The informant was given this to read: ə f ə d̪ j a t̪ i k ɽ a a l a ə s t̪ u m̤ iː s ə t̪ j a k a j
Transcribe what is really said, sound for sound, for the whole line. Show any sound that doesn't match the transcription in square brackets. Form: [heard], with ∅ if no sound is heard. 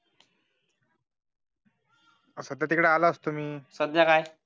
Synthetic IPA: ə [s] ə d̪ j a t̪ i k ɽ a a l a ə s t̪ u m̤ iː s ə [d̪] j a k a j